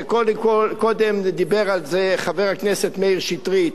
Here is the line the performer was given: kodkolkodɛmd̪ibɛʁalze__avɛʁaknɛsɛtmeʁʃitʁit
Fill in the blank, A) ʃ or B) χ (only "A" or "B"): B